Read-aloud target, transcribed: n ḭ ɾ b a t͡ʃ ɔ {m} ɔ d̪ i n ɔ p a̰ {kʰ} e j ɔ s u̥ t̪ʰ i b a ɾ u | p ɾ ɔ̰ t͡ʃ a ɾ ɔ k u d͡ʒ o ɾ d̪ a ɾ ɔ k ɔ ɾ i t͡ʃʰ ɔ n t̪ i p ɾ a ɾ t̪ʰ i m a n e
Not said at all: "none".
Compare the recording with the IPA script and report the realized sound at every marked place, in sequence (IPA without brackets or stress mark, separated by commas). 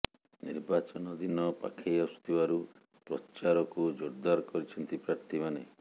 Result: n, kʰ